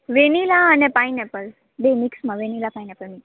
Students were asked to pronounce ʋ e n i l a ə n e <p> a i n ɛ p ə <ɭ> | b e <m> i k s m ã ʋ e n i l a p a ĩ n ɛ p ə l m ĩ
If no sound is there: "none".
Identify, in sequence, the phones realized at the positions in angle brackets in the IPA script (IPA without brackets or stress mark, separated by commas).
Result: p, l, m